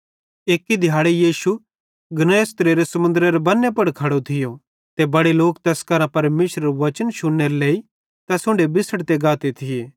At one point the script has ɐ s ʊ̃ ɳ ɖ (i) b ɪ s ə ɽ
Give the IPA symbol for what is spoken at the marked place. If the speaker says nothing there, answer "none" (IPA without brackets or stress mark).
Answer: e